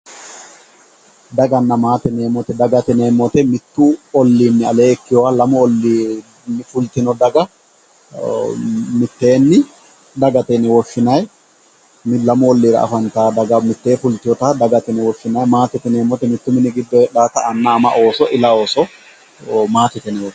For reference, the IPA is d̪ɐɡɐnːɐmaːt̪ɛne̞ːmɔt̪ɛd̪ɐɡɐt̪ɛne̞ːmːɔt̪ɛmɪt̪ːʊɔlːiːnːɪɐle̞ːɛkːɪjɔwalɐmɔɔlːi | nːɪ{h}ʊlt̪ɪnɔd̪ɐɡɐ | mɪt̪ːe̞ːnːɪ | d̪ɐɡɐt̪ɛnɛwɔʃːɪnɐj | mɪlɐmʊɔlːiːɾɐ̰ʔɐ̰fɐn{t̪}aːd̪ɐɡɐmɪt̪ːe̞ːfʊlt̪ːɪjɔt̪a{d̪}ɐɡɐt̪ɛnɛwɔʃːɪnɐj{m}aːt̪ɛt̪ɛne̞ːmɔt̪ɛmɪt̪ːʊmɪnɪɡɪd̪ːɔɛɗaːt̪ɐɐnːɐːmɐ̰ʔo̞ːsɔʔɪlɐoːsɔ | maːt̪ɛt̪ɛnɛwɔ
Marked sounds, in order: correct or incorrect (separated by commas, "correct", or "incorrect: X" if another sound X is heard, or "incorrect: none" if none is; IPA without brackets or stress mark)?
incorrect: f, correct, correct, correct